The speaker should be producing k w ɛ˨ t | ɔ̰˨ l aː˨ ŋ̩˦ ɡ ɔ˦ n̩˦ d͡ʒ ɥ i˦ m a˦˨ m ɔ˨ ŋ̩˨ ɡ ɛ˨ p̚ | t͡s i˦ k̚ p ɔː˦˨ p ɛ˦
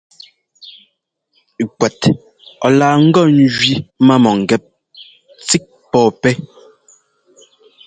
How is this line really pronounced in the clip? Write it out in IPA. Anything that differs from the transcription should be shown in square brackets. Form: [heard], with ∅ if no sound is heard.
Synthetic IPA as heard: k w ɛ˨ t | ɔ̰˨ l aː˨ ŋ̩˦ ɡ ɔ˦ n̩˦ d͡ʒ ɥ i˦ m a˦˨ m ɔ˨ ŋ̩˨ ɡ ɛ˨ p̚ | t͡s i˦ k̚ p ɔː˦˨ p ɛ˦